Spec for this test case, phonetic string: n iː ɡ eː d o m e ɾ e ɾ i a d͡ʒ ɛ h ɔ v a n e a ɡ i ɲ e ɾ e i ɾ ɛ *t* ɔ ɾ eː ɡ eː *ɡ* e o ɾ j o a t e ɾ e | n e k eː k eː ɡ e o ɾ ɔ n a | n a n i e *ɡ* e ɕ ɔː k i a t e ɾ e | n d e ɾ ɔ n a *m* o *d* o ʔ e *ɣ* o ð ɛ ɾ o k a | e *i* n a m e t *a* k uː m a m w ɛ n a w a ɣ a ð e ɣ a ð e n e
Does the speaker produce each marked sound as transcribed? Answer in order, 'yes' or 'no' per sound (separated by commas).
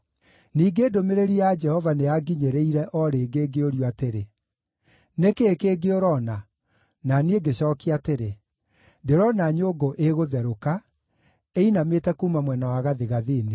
no, yes, yes, no, no, yes, yes, no